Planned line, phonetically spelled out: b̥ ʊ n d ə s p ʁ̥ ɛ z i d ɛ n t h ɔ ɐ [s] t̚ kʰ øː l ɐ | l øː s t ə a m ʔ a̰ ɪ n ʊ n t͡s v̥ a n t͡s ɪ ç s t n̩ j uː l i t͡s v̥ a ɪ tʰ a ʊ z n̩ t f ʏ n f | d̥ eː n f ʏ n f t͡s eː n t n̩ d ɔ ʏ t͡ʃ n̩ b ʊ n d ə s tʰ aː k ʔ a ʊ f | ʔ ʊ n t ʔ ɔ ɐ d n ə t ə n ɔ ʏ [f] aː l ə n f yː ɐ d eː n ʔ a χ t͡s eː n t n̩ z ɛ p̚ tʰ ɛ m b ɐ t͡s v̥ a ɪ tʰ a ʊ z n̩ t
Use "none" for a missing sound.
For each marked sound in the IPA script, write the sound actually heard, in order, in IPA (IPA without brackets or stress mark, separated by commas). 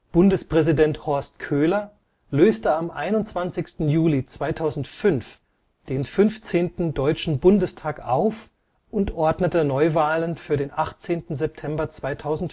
s, v